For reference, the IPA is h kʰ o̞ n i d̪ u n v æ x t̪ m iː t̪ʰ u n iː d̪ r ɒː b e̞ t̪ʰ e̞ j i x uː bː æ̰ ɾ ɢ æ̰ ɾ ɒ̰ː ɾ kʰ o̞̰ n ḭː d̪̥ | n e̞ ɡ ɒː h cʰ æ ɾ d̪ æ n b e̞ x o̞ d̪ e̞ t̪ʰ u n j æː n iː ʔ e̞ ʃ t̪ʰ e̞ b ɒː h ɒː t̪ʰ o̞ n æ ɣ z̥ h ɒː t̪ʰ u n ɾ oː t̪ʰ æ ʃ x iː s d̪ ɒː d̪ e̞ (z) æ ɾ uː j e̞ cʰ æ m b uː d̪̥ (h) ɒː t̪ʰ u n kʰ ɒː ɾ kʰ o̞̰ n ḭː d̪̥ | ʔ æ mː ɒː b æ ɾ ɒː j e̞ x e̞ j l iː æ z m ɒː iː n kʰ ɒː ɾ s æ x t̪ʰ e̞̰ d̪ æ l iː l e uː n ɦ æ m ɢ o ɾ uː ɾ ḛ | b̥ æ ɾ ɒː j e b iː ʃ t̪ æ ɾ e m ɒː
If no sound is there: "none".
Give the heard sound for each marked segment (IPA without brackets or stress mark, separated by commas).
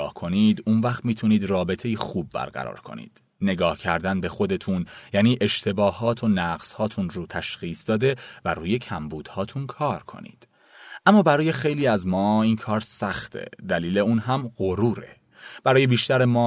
v, h